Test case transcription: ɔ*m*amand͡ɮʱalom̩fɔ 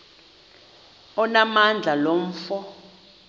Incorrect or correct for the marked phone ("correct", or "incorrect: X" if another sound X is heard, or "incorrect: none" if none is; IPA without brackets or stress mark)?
incorrect: n